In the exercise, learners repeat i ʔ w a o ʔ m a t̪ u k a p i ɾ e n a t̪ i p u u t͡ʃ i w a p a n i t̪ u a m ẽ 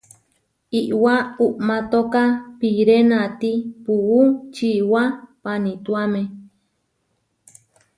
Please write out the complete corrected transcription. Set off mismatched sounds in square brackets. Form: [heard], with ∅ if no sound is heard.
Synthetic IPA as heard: i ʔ w a [u] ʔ m a t̪ [o] k a p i ɾ e n a t̪ i p u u t͡ʃ i w a p a n i t̪ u a m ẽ